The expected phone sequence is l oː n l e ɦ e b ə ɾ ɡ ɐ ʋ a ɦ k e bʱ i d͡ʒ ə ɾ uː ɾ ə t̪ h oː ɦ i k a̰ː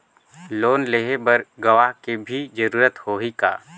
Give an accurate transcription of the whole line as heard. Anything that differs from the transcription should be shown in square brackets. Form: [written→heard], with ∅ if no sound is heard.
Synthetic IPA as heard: l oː n l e ɦ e b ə ɾ ɡ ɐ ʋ a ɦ k e bʱ i d͡ʒ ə ɾ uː ɾ ə t̪ h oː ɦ i k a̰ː